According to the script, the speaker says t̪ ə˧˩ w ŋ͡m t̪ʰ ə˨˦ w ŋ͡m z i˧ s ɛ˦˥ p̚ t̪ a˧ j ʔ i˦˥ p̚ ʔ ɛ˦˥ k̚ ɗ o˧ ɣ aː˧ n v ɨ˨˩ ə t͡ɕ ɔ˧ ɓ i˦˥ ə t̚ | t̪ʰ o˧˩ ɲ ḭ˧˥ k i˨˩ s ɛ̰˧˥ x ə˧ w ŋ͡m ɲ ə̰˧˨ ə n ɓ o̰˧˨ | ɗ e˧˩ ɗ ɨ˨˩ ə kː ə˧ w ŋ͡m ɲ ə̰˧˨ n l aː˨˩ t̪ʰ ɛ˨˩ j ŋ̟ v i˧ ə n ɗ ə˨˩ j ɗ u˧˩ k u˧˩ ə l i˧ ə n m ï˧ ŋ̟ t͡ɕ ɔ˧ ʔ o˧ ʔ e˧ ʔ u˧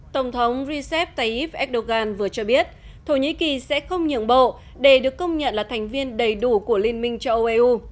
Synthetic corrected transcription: t̪ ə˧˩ w ŋ͡m t̪ʰ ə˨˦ w ŋ͡m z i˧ s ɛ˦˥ p̚ t̪ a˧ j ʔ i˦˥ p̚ ʔ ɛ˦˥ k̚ ɗ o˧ ɣ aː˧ n v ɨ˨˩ ə t͡ɕ ɔ˧ ɓ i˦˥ ə t̚ | t̪ʰ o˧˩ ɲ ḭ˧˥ k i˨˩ s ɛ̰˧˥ x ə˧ w ŋ͡m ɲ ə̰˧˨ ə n ɓ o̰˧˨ | ɗ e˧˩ ɗ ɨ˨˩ ə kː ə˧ w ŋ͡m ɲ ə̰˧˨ n l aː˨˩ t̪ʰ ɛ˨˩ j ŋ̟ v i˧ ə n ɗ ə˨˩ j ɗ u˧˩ k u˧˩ ə l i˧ ə n m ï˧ ŋ̟ t͡ɕ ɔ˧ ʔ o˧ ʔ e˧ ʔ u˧

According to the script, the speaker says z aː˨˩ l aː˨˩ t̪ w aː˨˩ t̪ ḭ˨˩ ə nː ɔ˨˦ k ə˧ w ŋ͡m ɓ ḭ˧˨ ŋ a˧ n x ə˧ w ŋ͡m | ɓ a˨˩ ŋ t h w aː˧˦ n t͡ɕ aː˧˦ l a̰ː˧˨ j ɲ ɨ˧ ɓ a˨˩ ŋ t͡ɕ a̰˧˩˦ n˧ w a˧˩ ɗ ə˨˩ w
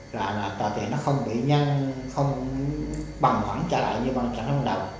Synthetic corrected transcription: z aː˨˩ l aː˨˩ t̪ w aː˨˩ t̪ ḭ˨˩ ə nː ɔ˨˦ x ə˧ w ŋ͡m ɓ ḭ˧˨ ɲ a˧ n x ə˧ w ŋ͡m | ɓ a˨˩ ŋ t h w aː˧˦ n t͡ɕ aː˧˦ l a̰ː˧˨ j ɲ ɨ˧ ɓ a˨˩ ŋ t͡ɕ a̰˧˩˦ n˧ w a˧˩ ɗ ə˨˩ w

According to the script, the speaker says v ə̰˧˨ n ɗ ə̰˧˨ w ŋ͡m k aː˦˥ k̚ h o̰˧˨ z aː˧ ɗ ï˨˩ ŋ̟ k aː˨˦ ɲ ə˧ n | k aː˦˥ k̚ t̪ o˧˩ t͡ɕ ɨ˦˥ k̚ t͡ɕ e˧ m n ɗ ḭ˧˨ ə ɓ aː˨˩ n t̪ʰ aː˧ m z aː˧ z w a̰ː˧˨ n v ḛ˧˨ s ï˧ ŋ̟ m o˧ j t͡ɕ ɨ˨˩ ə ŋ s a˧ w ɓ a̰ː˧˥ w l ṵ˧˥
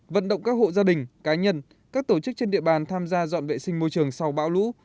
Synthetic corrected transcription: v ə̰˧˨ n ɗ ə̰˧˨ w ŋ͡m k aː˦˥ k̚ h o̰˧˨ z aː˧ ɗ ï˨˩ ŋ̟ k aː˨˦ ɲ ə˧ n | k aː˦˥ k̚ t̪ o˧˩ t͡ɕ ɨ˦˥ k̚ t͡ɕ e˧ n ɗ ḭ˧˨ ə ɓ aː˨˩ n t̪ʰ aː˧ m z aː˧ z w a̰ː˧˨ n v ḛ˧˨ s ï˧ ŋ̟ m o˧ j t͡ɕ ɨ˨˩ ə ŋ s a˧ w ɓ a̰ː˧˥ w l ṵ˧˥

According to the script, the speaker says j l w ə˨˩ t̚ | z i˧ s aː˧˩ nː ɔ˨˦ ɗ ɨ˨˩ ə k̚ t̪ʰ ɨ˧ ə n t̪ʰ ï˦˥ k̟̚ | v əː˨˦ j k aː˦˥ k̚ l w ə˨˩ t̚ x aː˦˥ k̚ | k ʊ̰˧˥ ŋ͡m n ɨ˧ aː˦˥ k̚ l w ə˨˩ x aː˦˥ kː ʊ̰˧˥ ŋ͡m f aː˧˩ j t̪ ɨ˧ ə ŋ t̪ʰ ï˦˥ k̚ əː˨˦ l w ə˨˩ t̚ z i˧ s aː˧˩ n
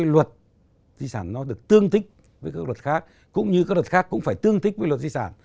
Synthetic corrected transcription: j l w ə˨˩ t̚ | z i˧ s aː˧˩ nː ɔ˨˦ ɗ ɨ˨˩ ə k̚ t̪ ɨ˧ ə ŋ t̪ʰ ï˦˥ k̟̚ | v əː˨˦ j k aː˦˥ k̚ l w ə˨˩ t̚ x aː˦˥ k̚ | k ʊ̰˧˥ ŋ͡m ɲ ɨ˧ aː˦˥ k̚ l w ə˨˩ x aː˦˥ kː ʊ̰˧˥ ŋ͡m f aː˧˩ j t̪ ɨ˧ ə ŋ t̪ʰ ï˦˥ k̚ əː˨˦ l w ə˨˩ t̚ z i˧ s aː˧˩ n

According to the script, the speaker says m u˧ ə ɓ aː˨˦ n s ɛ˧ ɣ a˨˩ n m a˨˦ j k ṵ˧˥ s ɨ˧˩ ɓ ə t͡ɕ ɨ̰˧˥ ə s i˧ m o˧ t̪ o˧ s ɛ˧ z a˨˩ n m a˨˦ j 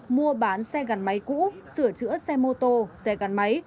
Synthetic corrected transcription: m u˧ ə ɓ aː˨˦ n s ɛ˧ ɣ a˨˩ n m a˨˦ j k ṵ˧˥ s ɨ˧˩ ə t͡ɕ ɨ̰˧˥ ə s ɛ˧ m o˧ t̪ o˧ s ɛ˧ ɣ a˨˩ n m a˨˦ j

